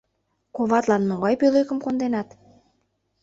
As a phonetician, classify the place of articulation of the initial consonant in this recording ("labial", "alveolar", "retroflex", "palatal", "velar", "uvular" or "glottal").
velar